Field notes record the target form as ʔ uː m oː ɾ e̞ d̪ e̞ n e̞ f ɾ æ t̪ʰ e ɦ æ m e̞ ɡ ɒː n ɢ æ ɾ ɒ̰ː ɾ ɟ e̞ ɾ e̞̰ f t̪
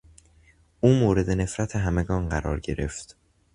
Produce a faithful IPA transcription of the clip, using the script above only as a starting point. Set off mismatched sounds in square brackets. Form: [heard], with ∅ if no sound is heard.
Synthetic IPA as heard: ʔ uː m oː ɾ e̞ d̪ e̞ n e̞ f ɾ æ t̪ʰ e ɦ æ m e̞ ɡ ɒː n ɢ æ ɾ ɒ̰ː ɾ ɟ e̞ ɾ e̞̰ f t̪